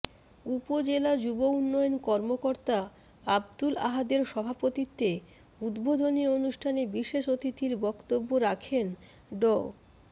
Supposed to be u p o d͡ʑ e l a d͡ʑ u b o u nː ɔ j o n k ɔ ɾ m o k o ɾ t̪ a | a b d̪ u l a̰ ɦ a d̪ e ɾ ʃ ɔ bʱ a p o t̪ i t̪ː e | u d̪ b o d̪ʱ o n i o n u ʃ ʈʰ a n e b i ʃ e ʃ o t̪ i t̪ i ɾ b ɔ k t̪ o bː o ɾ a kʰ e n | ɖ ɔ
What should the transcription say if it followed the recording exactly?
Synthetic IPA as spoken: u p o d͡ʑ e l a d͡ʑ u b o u nː ɔ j o n k ɔ ɾ m o k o ɾ t̪ a | a b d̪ u l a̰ ɦ a d̪ e ɾ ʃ ɔ bʱ a p o t̪ i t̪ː e | u d̪ b o d̪ʱ o n i o n u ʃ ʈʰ a n e b i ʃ e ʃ o t̪ i t̪ i ɾ b ɔ k t̪ o bː o ɾ a kʰ e n | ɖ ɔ